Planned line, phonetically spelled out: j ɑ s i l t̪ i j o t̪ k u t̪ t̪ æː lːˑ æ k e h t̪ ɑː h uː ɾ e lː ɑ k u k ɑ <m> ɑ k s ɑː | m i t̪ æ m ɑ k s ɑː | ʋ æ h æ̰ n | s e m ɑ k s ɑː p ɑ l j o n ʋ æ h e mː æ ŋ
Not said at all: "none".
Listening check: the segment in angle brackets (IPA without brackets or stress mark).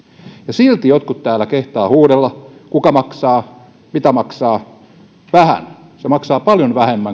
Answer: m